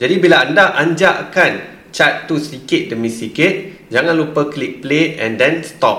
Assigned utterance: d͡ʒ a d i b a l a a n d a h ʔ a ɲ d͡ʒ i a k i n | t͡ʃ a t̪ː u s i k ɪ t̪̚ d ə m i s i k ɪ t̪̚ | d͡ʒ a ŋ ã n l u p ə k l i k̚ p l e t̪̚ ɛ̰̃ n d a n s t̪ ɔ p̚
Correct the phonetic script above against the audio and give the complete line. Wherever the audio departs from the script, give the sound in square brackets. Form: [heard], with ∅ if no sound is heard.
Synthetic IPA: d͡ʒ a d i b [i] l a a n d a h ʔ a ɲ d͡ʒ [a] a k [a] n | t͡ʃ a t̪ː u s i k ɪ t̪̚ d ə m i s i k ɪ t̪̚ | d͡ʒ a ŋ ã n l u p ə k l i k̚ p l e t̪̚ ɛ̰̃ n d [ɛ] n s t̪ ɔ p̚